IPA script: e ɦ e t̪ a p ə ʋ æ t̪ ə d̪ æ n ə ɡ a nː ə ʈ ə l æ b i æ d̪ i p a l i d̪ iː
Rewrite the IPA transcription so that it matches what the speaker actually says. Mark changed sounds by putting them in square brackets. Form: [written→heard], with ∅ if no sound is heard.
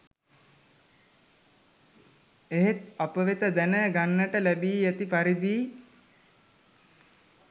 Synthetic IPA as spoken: e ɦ e t̪ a p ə ʋ [æ→e] t̪ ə d̪ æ n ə ɡ a nː ə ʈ ə l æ b [i→iː] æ [d̪→t̪] i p a [l→ɾ] i d̪ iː